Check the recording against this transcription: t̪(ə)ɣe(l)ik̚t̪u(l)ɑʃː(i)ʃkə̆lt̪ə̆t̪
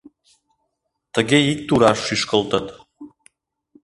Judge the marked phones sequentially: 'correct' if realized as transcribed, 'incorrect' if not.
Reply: correct, incorrect: none, incorrect: ɾ, incorrect: y

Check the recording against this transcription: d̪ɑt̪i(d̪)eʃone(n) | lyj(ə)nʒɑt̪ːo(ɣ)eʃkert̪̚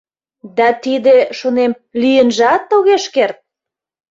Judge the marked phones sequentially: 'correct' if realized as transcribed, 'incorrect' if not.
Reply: correct, incorrect: m, correct, correct

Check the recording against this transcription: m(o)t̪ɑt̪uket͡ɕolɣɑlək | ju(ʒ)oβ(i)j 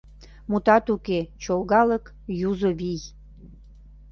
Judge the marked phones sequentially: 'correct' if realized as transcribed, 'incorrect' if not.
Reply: incorrect: u, incorrect: z, correct

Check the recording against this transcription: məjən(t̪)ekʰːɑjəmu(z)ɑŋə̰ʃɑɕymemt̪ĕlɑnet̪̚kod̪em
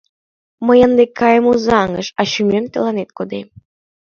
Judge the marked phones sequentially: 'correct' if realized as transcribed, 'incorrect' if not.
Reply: incorrect: d̪, correct

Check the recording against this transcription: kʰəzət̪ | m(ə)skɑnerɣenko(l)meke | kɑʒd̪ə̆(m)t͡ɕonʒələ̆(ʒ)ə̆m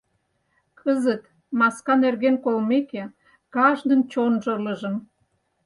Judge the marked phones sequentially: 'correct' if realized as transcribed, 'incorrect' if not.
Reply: incorrect: ɑ, correct, incorrect: n, correct

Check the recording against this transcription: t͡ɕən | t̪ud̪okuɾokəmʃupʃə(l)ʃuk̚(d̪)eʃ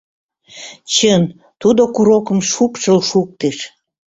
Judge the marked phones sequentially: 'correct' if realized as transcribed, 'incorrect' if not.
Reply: correct, incorrect: t̪

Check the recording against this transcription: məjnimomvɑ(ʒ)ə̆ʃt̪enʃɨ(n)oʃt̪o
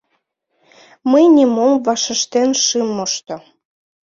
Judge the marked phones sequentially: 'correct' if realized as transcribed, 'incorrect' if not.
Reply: incorrect: ʃ, incorrect: m

